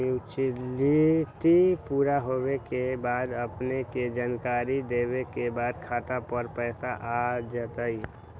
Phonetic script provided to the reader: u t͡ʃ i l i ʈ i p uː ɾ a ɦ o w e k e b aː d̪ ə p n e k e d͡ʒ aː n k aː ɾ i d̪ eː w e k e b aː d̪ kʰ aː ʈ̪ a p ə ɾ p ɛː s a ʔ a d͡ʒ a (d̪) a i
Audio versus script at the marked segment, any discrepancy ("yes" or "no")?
yes